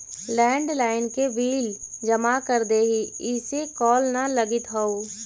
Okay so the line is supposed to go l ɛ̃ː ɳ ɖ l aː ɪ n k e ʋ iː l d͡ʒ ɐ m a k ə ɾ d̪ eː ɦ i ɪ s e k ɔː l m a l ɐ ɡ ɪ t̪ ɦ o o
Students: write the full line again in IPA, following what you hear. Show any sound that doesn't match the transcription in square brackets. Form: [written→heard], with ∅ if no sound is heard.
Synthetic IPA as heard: l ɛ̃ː ɳ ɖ l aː ɪ n k e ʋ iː l d͡ʒ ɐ m a k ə ɾ d̪ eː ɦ i ɪ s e k ɔː l [m→n] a l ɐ ɡ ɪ t̪ ɦ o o

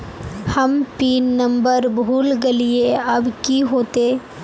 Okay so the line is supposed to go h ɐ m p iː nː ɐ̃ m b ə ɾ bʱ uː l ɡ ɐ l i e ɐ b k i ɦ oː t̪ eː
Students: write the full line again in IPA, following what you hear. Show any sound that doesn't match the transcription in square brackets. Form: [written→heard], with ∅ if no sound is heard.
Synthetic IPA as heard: h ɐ m p iː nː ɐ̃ m b ə ɾ bʱ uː l ɡ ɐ l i e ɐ b k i ɦ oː t̪ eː

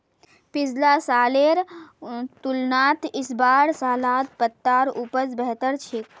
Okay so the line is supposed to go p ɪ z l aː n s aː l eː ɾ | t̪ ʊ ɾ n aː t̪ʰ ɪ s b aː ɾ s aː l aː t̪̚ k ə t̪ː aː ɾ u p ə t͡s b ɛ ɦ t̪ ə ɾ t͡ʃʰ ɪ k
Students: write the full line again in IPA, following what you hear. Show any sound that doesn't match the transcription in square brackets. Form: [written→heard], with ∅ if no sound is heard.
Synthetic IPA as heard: p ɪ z l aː [n→∅] s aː l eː ɾ | t̪ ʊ [ɾ→l] n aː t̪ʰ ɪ s b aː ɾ s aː l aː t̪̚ [k→p] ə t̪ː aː ɾ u p ə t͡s b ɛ ɦ t̪ ə ɾ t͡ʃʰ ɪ k

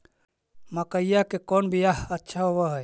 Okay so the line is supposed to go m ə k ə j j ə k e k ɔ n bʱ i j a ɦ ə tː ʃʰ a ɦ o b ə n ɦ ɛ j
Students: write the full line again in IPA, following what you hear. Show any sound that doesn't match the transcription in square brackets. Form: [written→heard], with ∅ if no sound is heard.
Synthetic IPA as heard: m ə k ə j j [ə→a] k e k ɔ n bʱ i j a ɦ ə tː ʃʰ a ɦ o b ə [n→∅] ɦ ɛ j

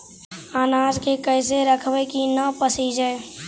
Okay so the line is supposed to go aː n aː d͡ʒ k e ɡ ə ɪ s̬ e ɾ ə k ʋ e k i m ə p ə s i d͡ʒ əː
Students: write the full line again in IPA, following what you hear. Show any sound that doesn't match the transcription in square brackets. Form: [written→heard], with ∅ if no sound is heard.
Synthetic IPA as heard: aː n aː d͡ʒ k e [ɡ→k] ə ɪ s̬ e ɾ ə [k→kʰ] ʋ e k i [m→n] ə p ə s i d͡ʒ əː

